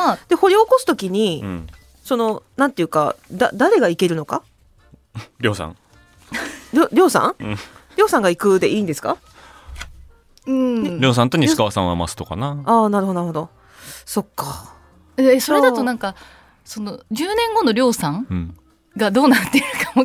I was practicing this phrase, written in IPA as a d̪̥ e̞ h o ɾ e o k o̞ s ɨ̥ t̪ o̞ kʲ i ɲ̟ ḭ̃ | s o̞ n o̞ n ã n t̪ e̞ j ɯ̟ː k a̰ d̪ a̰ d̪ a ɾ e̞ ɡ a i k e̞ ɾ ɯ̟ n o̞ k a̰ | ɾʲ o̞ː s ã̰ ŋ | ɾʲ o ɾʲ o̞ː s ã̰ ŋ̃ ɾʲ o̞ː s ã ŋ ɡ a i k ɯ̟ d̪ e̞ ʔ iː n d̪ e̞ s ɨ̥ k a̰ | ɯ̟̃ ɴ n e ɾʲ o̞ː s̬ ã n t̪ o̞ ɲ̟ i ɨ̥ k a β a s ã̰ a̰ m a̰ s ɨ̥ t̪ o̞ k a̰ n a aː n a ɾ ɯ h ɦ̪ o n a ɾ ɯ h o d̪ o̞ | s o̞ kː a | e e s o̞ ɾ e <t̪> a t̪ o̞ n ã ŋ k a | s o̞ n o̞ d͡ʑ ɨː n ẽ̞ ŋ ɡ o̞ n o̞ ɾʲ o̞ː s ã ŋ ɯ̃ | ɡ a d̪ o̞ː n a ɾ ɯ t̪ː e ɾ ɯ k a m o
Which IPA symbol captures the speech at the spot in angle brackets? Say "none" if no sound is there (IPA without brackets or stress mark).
d̪